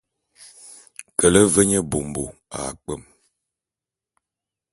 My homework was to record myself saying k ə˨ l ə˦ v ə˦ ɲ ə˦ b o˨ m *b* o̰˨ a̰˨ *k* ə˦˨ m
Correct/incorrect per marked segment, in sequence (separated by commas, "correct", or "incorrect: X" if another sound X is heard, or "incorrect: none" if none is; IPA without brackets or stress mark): correct, incorrect: k͡p